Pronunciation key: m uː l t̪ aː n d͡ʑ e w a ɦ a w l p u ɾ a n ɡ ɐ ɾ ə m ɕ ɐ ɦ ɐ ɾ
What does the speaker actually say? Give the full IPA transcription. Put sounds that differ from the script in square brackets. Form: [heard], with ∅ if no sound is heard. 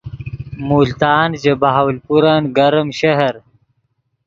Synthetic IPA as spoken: m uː l t̪ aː n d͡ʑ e [b] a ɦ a w l p u ɾ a n ɡ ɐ ɾ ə m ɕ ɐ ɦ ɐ ɾ